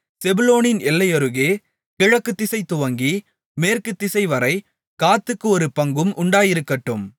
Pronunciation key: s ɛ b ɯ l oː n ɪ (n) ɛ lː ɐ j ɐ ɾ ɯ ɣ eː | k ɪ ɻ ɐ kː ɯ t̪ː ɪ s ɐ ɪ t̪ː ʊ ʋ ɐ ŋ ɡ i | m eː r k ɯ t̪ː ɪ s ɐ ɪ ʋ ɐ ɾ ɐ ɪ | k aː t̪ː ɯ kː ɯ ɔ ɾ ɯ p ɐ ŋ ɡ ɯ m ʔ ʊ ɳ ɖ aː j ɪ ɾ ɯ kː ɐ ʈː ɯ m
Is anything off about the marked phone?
no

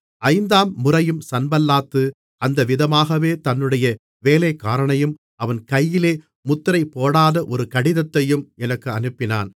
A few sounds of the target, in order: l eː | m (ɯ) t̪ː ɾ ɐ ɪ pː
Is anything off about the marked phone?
yes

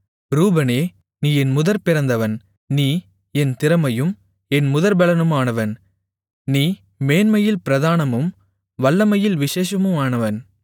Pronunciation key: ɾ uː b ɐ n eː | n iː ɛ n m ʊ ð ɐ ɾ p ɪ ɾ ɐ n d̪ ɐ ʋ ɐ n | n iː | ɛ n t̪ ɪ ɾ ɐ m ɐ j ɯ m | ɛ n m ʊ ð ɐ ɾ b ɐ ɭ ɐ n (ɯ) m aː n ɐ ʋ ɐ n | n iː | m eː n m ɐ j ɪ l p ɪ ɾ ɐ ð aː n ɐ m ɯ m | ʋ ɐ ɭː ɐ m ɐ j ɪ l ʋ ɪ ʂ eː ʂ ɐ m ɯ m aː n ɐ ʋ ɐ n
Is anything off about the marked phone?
no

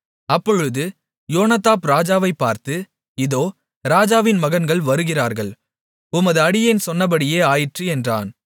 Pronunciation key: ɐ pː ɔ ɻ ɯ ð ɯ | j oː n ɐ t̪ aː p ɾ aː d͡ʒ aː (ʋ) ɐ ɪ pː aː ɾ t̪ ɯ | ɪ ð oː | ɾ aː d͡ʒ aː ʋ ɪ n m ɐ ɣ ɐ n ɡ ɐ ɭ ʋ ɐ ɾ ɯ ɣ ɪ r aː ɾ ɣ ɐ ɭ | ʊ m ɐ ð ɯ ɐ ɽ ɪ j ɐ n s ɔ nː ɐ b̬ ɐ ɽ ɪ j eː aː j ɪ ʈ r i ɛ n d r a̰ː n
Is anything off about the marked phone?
no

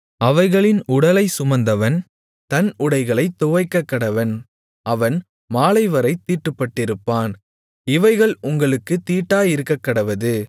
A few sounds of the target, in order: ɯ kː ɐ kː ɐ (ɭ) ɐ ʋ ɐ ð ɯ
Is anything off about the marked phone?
yes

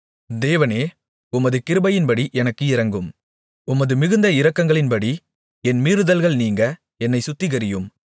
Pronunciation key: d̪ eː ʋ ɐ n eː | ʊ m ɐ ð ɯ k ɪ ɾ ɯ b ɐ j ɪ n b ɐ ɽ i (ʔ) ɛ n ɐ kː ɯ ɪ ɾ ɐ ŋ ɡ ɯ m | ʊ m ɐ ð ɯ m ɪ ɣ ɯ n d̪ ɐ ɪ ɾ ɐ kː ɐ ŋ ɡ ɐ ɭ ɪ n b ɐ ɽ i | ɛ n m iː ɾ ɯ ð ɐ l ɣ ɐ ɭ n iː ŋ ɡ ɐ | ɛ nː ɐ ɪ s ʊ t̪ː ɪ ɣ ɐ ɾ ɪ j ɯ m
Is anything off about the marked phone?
no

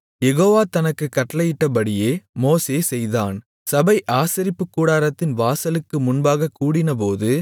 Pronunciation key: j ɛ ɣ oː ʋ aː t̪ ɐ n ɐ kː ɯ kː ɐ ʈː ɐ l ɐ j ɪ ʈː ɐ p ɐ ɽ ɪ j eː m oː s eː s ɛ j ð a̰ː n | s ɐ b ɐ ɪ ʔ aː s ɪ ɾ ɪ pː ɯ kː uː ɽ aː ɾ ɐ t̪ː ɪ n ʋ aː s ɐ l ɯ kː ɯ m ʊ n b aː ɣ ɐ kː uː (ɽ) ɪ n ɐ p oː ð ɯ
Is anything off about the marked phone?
no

